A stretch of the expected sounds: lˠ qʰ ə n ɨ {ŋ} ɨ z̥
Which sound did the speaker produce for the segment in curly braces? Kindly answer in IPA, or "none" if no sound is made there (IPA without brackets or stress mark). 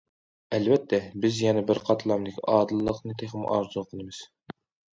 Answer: m